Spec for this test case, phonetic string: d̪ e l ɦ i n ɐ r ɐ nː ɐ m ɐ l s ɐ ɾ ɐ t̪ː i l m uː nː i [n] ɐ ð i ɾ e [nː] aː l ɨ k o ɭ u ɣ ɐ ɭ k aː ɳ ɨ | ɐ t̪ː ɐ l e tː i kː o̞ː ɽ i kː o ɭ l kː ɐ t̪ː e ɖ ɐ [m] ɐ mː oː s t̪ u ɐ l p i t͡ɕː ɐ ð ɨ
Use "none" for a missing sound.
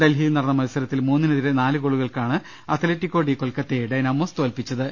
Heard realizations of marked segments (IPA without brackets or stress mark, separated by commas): n, n, n